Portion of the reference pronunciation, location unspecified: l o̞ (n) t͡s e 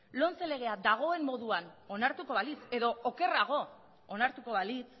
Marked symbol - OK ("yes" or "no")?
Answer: yes